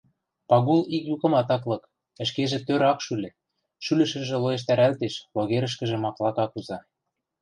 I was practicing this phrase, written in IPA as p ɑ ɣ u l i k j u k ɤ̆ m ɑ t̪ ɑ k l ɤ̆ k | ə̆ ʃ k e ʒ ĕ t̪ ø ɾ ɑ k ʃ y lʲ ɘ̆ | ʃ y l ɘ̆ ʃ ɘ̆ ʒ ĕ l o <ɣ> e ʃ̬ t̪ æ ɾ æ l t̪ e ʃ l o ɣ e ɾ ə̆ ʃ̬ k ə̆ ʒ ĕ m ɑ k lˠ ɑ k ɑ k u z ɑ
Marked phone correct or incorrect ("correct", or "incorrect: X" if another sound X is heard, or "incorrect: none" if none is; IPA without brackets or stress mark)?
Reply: incorrect: none